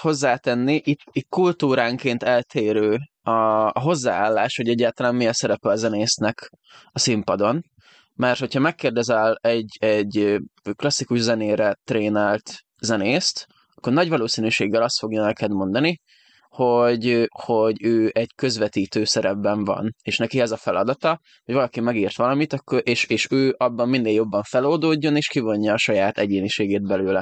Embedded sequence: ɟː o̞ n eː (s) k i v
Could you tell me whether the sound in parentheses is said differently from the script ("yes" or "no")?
yes